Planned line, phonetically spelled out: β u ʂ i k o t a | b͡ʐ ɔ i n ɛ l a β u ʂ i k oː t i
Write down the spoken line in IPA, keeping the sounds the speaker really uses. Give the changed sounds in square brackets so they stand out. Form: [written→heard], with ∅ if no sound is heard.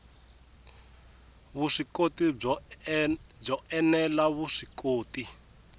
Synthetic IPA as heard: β u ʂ i k o t [a→i] | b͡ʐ ɔ [i→ɛ] n ɛ l a β u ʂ i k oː t i